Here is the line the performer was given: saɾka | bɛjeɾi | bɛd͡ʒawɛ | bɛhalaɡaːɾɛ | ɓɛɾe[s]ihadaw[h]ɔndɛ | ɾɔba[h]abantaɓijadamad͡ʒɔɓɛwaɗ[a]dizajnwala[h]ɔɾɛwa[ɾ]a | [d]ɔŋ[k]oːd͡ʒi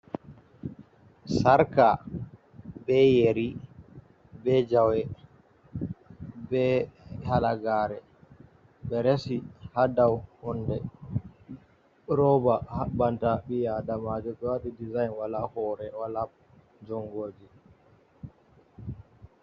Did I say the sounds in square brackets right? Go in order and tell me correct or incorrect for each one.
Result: correct, correct, correct, incorrect, correct, incorrect, incorrect, incorrect

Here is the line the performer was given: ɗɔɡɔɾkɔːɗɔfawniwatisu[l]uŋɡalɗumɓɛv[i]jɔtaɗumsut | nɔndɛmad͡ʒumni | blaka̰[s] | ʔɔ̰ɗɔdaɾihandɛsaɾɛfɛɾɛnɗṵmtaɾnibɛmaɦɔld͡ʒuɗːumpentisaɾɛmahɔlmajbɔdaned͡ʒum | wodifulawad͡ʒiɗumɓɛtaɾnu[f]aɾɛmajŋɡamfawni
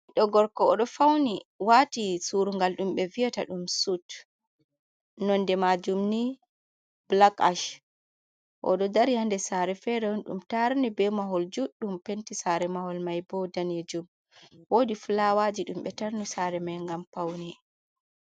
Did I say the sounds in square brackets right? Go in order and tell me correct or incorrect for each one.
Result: incorrect, correct, incorrect, incorrect

